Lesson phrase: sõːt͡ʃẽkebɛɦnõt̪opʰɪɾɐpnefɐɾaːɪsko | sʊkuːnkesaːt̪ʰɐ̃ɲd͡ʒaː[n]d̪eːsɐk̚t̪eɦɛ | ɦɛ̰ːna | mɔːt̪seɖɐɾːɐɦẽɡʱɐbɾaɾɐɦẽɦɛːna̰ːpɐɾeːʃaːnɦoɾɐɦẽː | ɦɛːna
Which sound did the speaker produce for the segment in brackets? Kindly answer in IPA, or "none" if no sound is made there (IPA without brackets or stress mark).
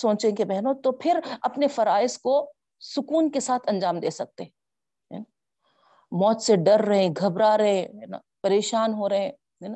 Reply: m